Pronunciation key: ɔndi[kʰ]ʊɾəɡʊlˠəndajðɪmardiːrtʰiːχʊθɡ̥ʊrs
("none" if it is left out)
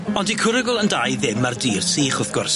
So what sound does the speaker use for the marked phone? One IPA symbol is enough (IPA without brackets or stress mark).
kʰ